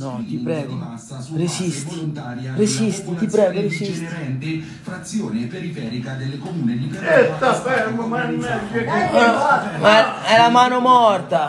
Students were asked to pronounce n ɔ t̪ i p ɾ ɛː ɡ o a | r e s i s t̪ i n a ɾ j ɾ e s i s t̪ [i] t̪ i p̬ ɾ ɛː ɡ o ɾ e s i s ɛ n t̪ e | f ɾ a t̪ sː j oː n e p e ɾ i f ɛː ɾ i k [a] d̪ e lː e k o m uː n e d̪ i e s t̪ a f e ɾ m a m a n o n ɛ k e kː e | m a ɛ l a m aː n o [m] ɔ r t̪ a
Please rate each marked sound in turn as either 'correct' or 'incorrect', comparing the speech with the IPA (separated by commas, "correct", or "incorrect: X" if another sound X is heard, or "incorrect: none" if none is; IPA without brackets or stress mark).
correct, correct, correct